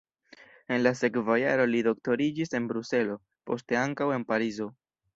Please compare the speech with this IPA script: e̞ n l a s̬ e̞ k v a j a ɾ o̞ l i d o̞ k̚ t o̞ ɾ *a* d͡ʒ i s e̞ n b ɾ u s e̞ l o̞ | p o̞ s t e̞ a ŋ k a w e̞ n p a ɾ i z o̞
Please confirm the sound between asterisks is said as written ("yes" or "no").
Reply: no